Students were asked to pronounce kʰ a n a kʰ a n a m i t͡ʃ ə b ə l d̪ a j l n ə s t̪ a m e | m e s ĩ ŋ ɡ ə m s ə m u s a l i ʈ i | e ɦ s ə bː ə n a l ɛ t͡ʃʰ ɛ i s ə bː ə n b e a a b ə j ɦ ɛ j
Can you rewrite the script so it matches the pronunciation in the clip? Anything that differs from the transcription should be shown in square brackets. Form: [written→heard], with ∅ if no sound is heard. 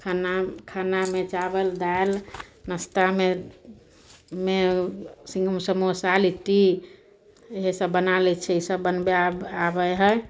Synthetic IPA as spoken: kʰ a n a kʰ a n a m [i→e] t͡ʃ [ə→a] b ə l d̪ a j l n ə s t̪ a m e | m e s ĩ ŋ ɡ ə m s ə m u s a l i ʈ i | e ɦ s ə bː ə n a l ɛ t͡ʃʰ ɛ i s ə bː ə n b e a a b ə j ɦ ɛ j